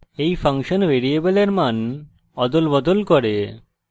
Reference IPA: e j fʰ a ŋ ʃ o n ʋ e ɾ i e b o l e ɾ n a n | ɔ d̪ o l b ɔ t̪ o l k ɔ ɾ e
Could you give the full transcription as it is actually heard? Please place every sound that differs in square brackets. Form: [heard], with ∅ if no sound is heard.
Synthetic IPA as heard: e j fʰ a ŋ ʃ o n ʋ e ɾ i e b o l e ɾ [m] a n | ɔ d̪ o l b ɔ [d̪] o l k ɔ ɾ e